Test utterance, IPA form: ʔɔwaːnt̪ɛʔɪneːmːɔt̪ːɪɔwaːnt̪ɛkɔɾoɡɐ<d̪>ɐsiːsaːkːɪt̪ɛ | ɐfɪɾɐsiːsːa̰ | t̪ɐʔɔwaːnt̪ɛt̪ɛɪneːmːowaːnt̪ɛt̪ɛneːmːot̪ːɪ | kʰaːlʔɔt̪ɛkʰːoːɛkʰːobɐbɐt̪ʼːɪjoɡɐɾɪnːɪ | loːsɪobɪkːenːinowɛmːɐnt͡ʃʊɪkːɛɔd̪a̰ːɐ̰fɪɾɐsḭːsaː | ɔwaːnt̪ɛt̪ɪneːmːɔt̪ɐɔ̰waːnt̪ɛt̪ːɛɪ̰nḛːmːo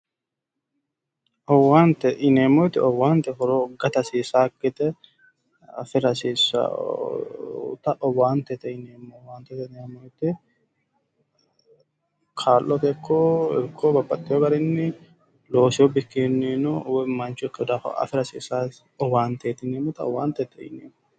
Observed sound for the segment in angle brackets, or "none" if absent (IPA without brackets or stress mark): t̪